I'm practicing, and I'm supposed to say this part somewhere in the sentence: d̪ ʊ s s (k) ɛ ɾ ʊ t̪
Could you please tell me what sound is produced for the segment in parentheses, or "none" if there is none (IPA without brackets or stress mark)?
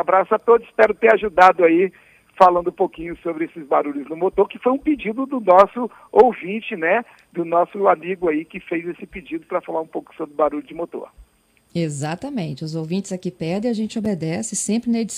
p